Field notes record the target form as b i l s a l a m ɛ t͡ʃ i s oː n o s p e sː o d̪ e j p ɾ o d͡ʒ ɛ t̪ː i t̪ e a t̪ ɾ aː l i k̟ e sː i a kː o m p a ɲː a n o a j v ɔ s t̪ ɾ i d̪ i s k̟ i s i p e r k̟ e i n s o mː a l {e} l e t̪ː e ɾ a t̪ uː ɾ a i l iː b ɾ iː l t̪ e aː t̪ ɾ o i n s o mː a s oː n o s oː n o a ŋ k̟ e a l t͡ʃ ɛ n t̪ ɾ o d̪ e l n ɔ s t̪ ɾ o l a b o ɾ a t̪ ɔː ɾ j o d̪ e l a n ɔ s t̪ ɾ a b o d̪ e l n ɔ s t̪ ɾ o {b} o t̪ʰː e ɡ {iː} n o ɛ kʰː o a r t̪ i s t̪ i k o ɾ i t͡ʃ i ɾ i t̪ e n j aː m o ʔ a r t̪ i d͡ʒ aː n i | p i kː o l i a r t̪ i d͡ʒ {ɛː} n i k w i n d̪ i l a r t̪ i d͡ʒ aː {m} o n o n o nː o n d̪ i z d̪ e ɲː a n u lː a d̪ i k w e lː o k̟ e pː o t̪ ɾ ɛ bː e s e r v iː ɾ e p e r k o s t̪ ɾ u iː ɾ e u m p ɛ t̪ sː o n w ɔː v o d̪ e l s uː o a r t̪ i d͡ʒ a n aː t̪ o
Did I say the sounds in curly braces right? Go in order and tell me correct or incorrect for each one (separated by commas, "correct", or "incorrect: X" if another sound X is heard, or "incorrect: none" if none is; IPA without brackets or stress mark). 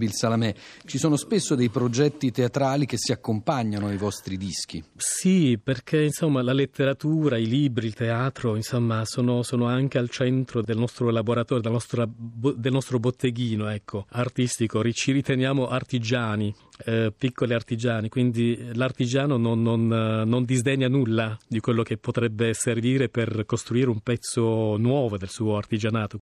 incorrect: a, correct, correct, incorrect: aː, incorrect: n